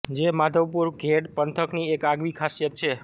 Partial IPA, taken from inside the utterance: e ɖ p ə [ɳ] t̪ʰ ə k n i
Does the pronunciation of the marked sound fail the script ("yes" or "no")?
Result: yes